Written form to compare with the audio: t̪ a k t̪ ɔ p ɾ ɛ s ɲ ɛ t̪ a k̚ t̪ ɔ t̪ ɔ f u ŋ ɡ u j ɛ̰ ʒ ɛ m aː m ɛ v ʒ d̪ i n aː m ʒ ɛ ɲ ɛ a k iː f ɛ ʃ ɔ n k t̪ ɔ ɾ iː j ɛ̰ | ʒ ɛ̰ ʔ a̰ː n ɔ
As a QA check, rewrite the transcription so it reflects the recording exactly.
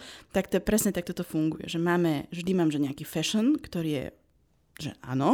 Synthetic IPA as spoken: t̪ a k t̪ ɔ p ɾ ɛ s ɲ ɛ t̪ a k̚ t̪ ɔ t̪ ɔ f u ŋ ɡ u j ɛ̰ ʒ ɛ m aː m ɛ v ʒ d̪ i m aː m ʒ ɛ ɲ ɛ a k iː f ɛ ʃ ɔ n k t̪ ɔ ɾ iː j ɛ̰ | ʒ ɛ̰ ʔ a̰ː n ɔ